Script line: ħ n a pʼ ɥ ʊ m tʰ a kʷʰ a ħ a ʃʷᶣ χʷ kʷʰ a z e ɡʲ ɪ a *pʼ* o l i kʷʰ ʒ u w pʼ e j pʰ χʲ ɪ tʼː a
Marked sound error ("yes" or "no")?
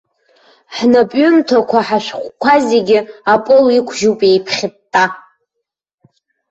no